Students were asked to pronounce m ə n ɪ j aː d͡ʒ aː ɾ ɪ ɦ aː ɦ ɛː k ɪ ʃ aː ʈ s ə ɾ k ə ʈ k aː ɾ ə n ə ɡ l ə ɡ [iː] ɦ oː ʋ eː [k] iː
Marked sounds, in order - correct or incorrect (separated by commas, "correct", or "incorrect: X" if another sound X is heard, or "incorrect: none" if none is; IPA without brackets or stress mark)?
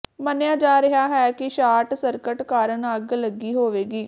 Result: correct, incorrect: ɡ